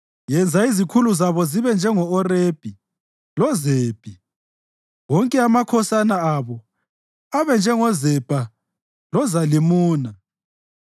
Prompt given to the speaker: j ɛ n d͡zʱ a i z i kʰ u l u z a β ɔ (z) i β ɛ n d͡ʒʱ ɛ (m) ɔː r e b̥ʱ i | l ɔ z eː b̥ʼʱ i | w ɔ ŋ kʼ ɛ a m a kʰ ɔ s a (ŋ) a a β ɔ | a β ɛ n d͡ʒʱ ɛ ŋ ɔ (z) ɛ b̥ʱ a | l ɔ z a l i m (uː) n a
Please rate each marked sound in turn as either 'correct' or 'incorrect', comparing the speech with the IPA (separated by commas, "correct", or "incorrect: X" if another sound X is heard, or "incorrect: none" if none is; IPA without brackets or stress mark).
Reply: correct, incorrect: ŋ, incorrect: n, correct, correct